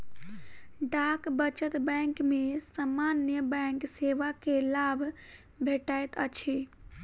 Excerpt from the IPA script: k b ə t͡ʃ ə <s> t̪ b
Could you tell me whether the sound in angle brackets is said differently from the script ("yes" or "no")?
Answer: yes